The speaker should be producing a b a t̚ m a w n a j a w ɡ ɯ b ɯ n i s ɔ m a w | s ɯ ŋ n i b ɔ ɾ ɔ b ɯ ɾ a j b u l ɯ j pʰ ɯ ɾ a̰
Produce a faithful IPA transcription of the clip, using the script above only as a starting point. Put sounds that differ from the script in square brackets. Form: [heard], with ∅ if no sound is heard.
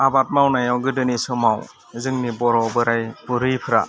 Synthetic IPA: a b a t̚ m a w n a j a w ɡ ɯ [d] ɯ n i s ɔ m a w | [z] ɯ ŋ n i b ɔ ɾ ɔ b ɯ ɾ a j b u [ɾ] ɯ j pʰ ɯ ɾ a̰